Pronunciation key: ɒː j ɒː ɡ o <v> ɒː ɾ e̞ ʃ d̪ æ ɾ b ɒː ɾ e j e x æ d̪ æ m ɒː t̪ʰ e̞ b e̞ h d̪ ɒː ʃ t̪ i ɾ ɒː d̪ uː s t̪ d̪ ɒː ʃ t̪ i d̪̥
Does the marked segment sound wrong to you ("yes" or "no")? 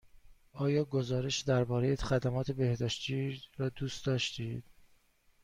yes